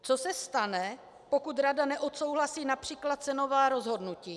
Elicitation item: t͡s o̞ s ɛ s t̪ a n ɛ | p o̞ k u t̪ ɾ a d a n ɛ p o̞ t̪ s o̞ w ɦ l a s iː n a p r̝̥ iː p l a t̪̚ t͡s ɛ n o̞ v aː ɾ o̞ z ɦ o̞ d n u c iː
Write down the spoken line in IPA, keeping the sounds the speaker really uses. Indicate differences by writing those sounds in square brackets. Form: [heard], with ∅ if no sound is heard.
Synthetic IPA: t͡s o̞ s ɛ s t̪ a n ɛ | p o̞ k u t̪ ɾ a d a n ɛ [ʔ] o̞ t̪ s o̞ w ɦ l a s iː n a p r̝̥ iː [k] l a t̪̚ t͡s ɛ n o̞ v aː ɾ o̞ z ɦ o̞ d n u c iː